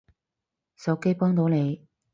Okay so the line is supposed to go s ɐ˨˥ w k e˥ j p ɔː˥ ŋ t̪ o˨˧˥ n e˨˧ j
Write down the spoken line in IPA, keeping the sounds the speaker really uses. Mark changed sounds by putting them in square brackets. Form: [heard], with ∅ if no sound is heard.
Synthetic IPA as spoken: s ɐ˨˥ w k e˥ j p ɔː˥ ŋ t̪ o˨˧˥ n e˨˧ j